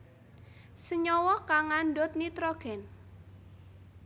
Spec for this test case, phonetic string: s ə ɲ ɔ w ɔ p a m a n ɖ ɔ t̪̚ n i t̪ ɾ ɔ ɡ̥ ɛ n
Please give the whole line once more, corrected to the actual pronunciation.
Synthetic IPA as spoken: s ə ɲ ɔ w ɔ k a ŋ a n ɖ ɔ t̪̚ n i t̪ ɾ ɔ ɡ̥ ɛ n